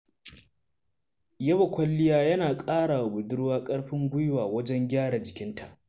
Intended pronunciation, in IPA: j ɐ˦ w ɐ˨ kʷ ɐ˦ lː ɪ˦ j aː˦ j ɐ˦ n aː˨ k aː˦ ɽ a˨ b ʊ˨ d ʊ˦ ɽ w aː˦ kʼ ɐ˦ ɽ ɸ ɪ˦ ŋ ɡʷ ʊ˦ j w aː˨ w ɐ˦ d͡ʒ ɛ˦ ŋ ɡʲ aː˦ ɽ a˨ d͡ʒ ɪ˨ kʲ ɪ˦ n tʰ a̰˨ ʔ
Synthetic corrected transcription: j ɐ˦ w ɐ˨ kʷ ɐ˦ lː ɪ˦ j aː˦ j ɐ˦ n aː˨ kʼ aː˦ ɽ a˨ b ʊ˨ d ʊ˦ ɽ w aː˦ kʼ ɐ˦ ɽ ɸ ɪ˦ ŋ ɡʷ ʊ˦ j w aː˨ w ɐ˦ d͡ʒ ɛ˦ ŋ ɡʲ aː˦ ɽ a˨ d͡ʒ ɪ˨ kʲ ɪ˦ n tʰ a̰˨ ʔ